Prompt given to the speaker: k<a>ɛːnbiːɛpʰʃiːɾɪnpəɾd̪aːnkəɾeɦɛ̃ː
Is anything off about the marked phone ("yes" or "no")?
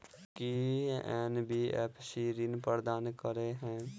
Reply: yes